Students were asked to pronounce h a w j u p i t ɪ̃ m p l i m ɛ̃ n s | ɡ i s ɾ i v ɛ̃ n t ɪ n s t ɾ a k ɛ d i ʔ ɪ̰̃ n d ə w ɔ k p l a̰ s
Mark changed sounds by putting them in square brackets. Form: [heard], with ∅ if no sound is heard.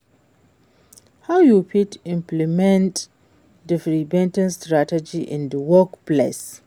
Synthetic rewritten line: h a w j u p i t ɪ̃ m p l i m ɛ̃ n [t] | [d] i [f] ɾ i [b] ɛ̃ n t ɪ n s t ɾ a [t] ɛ [d͡ʒ] i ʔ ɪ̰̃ n d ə w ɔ k p l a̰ s